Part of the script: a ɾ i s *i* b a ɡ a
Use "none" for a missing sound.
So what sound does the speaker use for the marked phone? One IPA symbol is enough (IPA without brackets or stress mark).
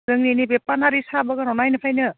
a